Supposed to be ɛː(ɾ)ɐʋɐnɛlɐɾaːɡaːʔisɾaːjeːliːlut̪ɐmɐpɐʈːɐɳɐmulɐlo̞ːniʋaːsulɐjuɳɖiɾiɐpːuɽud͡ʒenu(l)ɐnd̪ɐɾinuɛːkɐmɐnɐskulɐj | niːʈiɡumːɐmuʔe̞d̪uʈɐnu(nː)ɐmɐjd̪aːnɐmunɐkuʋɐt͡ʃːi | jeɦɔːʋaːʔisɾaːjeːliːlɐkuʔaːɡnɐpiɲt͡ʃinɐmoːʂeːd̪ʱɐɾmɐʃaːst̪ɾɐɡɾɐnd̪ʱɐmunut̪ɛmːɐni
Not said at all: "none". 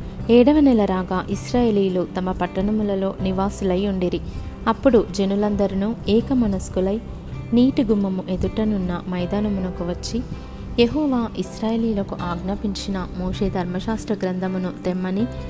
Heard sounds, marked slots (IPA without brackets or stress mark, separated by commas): ɽ, l, nː